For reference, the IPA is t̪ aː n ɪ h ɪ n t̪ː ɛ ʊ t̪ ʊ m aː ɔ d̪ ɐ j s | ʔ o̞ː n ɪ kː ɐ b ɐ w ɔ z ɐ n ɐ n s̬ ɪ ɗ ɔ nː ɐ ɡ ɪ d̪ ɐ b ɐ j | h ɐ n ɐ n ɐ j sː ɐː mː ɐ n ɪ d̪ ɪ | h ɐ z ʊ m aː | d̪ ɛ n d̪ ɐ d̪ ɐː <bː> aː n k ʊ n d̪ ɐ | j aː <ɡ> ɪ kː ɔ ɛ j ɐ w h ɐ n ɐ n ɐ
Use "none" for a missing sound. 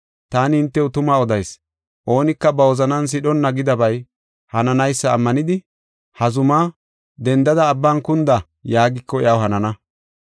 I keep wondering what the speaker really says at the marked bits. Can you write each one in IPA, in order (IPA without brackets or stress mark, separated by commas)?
bː, ɡ